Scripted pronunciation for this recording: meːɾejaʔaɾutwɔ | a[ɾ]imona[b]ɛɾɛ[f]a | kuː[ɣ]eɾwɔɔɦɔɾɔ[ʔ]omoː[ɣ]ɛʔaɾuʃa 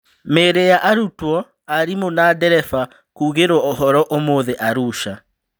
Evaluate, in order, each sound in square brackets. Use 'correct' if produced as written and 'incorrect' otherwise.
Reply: correct, incorrect, correct, correct, correct, incorrect

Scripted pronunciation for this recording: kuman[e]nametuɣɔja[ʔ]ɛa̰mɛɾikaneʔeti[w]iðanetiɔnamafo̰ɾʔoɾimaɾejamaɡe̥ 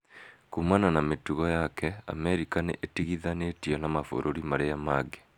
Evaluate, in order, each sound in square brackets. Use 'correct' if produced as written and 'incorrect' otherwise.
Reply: incorrect, incorrect, incorrect

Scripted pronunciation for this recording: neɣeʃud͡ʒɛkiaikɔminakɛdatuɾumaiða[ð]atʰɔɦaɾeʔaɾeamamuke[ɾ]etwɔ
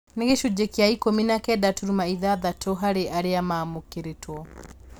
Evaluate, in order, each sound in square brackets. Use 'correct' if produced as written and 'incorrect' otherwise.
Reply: correct, correct

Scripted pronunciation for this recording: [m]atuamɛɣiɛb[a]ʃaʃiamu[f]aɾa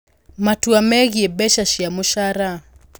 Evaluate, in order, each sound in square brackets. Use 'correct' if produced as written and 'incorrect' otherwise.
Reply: correct, incorrect, incorrect

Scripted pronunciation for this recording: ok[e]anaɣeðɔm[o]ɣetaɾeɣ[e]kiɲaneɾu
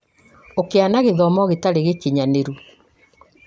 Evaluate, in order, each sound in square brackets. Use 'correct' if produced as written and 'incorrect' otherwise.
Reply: correct, incorrect, correct

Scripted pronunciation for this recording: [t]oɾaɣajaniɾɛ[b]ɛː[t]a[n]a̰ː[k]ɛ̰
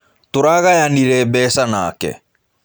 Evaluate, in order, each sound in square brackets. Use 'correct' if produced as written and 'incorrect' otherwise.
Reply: correct, correct, incorrect, correct, correct

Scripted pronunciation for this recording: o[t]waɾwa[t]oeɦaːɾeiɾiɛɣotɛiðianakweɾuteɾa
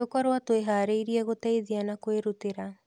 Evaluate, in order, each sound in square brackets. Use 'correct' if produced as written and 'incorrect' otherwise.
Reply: incorrect, correct

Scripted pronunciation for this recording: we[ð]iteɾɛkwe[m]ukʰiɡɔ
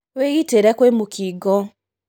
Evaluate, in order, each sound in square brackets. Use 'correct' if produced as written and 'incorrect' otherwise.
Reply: incorrect, correct

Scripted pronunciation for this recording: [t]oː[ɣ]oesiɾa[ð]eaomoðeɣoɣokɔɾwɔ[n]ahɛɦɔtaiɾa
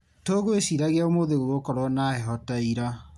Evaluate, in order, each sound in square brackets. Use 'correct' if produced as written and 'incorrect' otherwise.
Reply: correct, correct, incorrect, correct

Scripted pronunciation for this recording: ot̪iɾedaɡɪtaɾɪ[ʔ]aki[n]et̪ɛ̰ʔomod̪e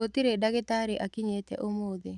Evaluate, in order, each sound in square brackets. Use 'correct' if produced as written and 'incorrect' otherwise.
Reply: correct, incorrect

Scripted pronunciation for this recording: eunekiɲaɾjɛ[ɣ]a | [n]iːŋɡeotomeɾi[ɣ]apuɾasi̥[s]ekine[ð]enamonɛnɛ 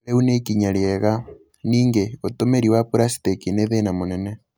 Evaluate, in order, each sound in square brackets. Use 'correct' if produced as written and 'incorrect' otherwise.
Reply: correct, correct, incorrect, incorrect, correct

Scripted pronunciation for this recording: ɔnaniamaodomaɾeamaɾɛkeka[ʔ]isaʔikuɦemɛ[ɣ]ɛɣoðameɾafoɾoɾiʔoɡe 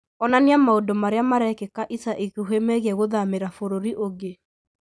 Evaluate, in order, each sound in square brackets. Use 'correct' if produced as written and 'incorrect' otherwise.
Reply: correct, correct

